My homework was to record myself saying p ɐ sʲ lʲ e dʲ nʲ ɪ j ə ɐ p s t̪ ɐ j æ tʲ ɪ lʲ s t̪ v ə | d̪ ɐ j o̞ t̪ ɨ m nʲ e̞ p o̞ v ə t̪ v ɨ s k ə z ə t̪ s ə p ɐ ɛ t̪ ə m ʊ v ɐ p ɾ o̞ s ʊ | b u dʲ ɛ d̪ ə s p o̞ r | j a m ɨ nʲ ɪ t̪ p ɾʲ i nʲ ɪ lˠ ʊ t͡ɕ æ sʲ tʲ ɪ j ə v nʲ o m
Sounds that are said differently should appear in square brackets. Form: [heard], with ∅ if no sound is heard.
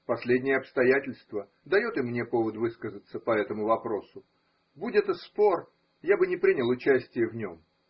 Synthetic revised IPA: p ɐ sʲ lʲ e dʲ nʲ ɪ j ə ɐ p s t̪ ɐ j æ tʲ ɪ lʲ s t̪ v ə | d̪ ɐ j o̞ t̪ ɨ m nʲ e̞ p o̞ v ə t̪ v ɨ s k ə z ə t̪ s ə p ɐ ɛ t̪ ə m ʊ v ɐ p ɾ o̞ s ʊ | b u dʲ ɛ [t̪] ə s p o̞ r | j a [b] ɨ nʲ ɪ [∅] p ɾʲ i nʲ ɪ lˠ ʊ t͡ɕ æ sʲ tʲ ɪ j ə v nʲ o m

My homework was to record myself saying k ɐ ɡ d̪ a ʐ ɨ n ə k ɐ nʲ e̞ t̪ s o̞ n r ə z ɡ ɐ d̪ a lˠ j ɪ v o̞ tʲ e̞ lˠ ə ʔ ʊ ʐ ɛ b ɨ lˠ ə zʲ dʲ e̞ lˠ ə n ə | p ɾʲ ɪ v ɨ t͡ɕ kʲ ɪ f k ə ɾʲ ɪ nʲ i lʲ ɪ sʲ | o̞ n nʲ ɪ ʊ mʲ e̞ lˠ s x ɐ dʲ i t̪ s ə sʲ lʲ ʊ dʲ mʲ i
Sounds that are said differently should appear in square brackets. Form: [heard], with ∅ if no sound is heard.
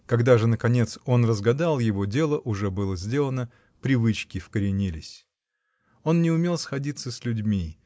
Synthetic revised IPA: k ɐ ɡ d̪ a ʐ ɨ n ə k ɐ nʲ e̞ t̪ s o̞ n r ə z ɡ ɐ d̪ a lˠ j ɪ v o̞ [dʲ] e̞ lˠ ə ʔ ʊ ʐ ɛ b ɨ lˠ ə zʲ dʲ e̞ lˠ ə n ə | p ɾʲ ɪ v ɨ t͡ɕ kʲ ɪ f k ə ɾʲ ɪ nʲ i lʲ ɪ sʲ | o̞ n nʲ ɪ ʊ mʲ e̞ lˠ s x ɐ dʲ i t̪ s ə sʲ lʲ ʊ dʲ mʲ i

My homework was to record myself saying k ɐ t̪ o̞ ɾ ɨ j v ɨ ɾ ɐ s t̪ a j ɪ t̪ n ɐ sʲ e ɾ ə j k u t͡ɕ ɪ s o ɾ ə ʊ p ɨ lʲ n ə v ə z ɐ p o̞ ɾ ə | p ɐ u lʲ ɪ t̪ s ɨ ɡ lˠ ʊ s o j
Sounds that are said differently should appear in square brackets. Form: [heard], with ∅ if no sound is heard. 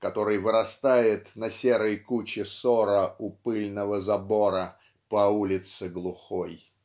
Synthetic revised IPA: k ɐ t̪ o̞ ɾ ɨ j v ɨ ɾ ɐ s t̪ a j ɪ t̪ n ɐ sʲ e ɾ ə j k u t͡ɕ ɪ s o ɾ ə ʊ p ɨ lʲ n ə v ə z ɐ [b] o̞ ɾ ə | p ɐ u lʲ ɪ t̪ s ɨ ɡ lˠ ʊ [x] o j

